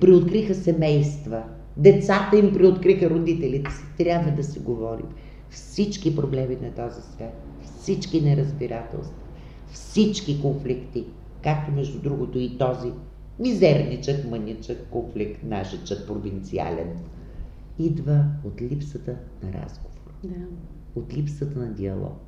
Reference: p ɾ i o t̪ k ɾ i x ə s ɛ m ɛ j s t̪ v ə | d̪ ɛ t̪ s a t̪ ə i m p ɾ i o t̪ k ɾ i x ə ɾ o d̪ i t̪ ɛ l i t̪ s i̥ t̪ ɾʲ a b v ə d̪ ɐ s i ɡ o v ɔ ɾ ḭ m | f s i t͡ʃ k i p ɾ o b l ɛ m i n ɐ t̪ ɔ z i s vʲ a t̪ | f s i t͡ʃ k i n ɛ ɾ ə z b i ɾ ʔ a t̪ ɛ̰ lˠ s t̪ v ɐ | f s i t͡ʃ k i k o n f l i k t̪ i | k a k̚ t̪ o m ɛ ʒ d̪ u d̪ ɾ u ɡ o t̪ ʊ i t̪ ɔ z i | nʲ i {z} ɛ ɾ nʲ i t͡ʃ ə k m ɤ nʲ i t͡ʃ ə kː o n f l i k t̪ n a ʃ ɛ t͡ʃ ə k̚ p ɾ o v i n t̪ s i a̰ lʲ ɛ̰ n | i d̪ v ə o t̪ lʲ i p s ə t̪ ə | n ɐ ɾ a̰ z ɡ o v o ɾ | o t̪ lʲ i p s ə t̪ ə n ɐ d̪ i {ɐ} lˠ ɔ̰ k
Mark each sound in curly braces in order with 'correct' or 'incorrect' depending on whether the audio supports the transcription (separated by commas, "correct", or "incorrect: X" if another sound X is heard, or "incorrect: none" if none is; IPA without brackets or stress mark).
correct, correct